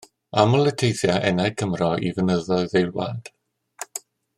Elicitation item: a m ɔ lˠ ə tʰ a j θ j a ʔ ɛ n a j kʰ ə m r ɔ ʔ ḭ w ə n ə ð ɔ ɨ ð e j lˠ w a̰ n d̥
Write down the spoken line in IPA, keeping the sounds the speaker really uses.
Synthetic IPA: a m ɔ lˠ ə tʰ e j θ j a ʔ ɛ n a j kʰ ə m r ɔ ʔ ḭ v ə n ə ð ɔ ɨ ð e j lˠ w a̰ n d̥